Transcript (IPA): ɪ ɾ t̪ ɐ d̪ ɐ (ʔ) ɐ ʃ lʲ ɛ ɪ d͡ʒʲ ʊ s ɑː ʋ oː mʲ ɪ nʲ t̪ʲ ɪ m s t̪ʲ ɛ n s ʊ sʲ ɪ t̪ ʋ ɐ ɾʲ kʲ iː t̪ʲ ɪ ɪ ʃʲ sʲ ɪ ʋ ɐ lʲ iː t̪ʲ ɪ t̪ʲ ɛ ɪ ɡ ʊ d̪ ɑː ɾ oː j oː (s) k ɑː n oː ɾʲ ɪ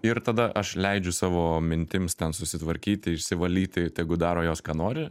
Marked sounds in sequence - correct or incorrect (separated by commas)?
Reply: correct, correct